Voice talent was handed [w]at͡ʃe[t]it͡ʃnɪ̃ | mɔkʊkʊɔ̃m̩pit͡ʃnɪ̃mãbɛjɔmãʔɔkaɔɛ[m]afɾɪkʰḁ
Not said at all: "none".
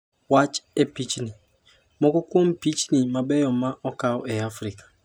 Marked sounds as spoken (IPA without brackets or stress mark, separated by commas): w, p, none